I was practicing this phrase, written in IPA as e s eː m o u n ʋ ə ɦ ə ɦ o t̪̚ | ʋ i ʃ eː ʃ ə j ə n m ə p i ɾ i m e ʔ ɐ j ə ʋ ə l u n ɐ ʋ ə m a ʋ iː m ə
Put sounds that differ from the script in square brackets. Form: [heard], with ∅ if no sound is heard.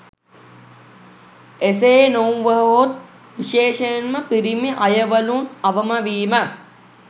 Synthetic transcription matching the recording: e s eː [n] o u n ʋ ə ɦ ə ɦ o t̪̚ | ʋ i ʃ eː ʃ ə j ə n m ə p i ɾ i m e ʔ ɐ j ə ʋ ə l u n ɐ ʋ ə m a ʋ iː m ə